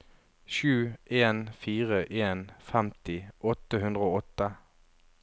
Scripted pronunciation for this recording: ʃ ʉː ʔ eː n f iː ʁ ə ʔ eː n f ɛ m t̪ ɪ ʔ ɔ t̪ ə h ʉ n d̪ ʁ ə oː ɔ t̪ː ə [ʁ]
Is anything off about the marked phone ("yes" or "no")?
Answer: yes